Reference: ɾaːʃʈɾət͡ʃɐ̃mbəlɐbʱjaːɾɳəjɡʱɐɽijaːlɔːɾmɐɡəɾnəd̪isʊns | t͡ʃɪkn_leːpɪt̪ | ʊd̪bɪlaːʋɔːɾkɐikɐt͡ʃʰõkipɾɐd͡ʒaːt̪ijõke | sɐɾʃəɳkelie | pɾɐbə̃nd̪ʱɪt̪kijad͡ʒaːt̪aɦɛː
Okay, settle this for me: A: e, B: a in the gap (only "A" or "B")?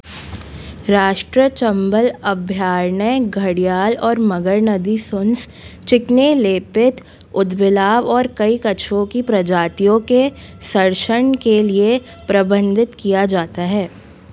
A